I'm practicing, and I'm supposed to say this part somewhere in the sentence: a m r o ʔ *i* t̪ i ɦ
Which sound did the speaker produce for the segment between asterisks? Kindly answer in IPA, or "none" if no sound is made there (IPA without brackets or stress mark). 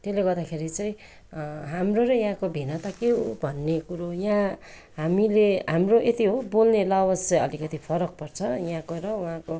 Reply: e